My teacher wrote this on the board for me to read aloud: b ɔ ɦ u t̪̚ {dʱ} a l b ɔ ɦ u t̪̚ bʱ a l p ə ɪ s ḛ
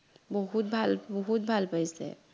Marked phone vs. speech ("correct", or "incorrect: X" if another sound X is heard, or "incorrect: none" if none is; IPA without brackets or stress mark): incorrect: bʱ